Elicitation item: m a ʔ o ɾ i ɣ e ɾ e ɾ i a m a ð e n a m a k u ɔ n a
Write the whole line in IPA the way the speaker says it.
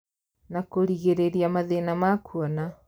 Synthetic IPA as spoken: n a k o ɾ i ɣ e ɾ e ɾ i a m a ð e n a m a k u ɔ n a